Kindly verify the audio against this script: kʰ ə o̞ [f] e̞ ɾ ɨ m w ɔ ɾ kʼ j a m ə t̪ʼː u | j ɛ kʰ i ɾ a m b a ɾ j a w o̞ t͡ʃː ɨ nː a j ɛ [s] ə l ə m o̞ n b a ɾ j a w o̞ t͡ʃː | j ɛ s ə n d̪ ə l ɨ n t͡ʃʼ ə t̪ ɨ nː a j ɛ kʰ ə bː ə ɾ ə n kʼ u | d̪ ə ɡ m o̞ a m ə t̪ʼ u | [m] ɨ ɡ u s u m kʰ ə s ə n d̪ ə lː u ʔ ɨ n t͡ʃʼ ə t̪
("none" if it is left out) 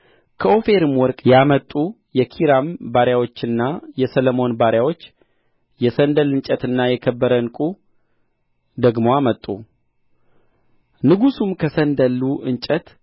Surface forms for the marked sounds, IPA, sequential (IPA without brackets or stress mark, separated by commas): f, s, n